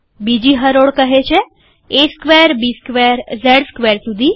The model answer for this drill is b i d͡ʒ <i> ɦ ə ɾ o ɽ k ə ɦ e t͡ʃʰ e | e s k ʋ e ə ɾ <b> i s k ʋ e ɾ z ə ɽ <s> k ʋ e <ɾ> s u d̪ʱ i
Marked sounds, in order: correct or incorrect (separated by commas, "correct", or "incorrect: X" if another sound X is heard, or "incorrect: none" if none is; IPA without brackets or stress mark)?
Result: correct, correct, correct, correct